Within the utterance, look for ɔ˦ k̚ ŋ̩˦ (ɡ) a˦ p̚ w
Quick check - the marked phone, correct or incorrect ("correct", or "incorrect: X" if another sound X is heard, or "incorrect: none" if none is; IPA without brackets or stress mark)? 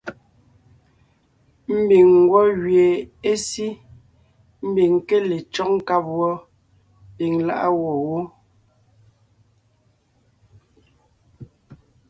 incorrect: k